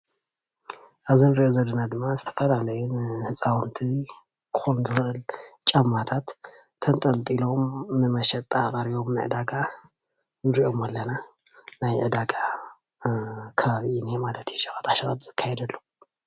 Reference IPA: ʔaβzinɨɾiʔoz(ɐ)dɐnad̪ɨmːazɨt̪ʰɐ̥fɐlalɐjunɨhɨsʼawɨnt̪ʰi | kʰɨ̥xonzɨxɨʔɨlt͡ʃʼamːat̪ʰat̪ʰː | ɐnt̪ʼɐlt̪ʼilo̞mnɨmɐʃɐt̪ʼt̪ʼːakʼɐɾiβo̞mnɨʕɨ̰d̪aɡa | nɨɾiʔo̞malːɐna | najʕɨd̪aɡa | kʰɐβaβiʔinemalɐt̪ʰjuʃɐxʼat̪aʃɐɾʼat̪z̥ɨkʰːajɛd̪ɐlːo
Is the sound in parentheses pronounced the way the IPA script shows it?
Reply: yes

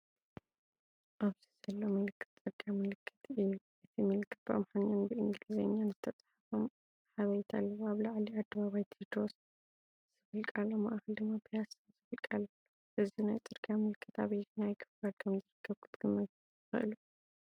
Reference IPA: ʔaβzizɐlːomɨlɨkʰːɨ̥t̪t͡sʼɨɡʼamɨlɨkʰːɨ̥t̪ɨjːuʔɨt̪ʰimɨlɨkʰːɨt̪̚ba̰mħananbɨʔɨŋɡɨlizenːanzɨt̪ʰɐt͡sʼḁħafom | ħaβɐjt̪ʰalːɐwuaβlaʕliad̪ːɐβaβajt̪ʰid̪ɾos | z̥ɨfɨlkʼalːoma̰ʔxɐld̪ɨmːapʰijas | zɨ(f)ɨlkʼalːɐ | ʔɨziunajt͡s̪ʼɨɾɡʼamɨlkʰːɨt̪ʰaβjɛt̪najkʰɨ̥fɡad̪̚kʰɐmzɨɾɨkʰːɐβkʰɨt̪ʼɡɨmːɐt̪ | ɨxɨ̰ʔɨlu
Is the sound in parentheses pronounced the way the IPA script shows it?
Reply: yes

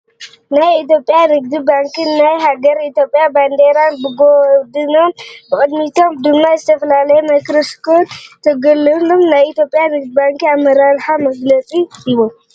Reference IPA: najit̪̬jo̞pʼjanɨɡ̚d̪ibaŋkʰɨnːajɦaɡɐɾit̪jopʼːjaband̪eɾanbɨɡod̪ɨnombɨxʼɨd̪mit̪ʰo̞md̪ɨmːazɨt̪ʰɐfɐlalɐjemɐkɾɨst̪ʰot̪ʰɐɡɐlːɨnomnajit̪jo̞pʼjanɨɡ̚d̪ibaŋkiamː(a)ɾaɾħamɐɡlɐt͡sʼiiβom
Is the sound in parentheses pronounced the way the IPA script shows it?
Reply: no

